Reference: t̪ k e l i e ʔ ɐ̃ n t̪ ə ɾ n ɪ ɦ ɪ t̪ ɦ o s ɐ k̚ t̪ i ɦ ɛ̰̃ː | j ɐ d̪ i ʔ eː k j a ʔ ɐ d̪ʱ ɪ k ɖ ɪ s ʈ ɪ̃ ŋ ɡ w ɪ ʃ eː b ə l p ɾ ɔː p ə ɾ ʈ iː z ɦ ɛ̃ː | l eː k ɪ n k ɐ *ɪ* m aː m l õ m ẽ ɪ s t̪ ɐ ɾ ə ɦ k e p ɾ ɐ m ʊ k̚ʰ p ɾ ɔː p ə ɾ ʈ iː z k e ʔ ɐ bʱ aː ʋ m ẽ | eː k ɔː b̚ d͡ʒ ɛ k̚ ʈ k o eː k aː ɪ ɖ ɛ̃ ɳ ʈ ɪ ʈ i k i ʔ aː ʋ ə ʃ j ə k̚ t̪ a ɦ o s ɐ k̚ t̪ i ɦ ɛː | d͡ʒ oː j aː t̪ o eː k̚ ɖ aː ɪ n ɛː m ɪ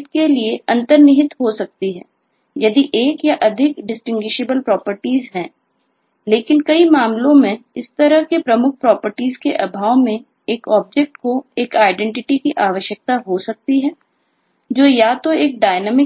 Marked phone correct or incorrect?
incorrect